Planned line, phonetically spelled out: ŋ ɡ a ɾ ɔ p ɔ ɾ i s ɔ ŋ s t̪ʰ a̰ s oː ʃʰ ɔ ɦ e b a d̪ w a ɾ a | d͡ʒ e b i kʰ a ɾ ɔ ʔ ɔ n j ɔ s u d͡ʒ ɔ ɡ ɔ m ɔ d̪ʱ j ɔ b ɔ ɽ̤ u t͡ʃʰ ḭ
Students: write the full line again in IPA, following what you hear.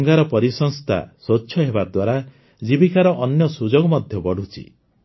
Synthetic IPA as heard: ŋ ɡ a ɾ ɔ p ɔ ɾ i s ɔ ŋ s t̪ʰ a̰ s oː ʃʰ ɔ ɦ e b a d̪ w a ɾ a | d͡ʒ i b i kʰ a ɾ ɔ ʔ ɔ n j ɔ s u d͡ʒ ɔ ɡ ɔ m ɔ d̪ʱ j ɔ b ɔ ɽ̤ u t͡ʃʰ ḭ